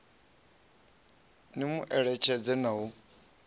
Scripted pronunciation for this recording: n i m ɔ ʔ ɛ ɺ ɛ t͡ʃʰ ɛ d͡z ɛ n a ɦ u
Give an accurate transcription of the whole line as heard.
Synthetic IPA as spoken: n i m u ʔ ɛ ɺ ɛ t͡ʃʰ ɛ d͡z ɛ n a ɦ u